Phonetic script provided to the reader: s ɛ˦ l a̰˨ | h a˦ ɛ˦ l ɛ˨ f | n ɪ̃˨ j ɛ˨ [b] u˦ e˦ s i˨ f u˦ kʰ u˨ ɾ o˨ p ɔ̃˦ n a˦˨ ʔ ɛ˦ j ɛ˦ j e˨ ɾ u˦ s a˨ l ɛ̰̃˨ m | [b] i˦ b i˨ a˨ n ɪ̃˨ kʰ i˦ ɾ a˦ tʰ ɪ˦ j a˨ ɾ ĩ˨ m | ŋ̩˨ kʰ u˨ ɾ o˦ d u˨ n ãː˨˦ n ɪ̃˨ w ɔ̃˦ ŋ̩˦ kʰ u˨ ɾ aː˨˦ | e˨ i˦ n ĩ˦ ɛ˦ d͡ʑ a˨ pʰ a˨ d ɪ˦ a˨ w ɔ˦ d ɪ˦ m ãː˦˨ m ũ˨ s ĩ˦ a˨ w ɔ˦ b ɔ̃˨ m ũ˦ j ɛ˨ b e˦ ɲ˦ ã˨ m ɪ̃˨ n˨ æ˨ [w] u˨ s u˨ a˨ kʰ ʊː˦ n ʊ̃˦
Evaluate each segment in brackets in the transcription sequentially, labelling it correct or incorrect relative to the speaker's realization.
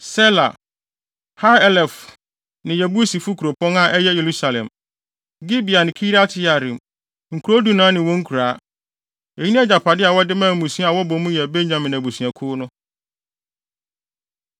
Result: correct, incorrect: ɡ, incorrect: b

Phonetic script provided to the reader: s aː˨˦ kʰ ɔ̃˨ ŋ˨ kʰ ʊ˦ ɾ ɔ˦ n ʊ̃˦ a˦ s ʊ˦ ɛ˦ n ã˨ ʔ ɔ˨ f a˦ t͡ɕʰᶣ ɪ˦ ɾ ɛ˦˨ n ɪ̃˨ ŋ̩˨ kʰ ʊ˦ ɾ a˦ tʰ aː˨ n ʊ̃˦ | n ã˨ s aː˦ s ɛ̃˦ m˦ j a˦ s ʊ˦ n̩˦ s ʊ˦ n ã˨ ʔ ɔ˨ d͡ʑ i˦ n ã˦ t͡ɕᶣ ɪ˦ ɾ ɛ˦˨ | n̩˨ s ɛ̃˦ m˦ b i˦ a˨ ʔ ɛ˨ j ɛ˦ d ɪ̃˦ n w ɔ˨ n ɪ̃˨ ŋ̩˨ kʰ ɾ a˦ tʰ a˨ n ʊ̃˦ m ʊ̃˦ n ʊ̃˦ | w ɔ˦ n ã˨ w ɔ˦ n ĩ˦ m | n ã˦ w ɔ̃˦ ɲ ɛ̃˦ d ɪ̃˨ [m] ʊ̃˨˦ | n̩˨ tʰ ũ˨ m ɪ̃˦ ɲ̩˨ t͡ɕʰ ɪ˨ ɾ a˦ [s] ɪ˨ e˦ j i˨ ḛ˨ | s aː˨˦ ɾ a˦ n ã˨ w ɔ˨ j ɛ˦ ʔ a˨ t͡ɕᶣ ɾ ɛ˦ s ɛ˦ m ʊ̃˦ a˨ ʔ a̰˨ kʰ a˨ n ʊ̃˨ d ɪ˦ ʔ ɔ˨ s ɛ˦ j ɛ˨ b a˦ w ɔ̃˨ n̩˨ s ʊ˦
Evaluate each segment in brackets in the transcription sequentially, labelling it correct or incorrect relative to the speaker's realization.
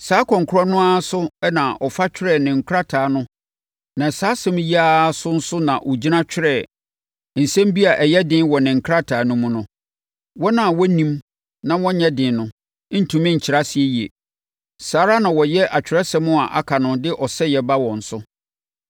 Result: incorrect: n, correct

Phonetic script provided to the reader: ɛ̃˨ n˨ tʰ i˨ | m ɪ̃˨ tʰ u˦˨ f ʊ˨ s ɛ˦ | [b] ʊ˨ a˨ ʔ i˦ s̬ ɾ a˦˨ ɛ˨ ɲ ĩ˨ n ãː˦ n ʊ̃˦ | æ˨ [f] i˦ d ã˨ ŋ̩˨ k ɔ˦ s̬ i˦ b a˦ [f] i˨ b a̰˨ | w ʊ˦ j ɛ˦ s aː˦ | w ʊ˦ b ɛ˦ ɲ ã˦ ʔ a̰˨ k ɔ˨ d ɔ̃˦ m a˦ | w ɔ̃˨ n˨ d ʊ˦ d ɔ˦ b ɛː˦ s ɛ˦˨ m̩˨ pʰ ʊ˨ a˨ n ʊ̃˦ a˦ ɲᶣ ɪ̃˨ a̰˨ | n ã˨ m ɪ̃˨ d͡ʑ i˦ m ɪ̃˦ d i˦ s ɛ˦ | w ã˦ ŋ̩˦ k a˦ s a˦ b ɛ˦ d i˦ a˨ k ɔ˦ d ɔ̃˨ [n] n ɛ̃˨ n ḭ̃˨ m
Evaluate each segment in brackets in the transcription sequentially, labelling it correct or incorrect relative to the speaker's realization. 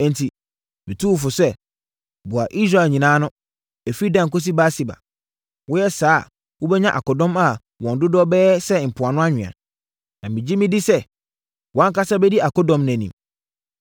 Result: correct, correct, incorrect: s, incorrect: m

